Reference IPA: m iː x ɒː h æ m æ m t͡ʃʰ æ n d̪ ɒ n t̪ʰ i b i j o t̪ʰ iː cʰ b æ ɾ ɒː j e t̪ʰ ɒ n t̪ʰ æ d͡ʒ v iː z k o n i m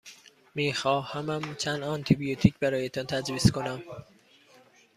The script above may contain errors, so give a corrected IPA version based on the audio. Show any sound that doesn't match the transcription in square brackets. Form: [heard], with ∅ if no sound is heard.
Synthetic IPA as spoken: m iː x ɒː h æ m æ m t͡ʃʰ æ n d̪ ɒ n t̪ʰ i b i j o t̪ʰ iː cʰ b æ ɾ ɒː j e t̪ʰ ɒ n t̪ʰ æ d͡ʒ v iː [s] k o n [æ] m